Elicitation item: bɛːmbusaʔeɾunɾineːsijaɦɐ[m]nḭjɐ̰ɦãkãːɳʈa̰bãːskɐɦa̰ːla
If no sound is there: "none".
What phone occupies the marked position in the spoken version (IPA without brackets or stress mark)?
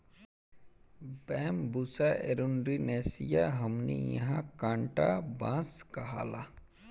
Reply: m